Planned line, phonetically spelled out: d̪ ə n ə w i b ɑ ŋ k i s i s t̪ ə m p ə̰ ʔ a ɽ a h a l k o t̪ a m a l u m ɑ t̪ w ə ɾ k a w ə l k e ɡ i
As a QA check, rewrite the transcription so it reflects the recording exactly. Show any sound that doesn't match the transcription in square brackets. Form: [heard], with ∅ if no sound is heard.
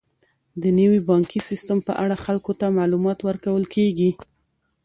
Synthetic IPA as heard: d̪ ə n ə w i b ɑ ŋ k i s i s t̪ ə m p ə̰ ʔ a ɽ a [x] a l k o t̪ a m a l u m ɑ t̪ w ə ɾ k a w ə l k e ɡ i